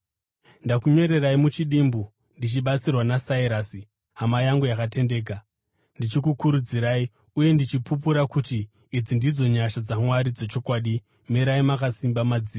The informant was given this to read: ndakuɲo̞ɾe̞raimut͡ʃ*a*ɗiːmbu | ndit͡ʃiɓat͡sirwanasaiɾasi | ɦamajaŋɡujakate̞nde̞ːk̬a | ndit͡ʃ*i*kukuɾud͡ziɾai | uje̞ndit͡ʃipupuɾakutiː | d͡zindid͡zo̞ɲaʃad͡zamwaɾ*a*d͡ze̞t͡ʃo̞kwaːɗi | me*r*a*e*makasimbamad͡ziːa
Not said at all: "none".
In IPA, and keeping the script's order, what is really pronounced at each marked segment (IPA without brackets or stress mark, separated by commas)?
i, i, i, ɾ, i